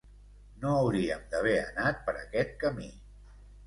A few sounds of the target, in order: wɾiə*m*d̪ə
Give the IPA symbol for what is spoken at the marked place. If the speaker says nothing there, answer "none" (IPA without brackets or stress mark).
m